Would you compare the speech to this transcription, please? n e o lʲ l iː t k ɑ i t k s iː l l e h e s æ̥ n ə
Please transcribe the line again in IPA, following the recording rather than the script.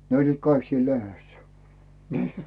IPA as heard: n e o lʲ l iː t k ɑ i k s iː l l e h e sː æ̥ n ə